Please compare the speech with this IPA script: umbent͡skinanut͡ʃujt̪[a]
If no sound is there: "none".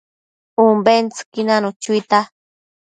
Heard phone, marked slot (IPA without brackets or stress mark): a